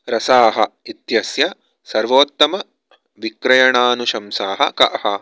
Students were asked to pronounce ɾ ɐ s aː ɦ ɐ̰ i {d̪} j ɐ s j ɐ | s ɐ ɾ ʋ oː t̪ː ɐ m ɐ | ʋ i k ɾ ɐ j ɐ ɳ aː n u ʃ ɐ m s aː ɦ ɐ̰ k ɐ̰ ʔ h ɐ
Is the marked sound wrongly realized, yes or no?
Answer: yes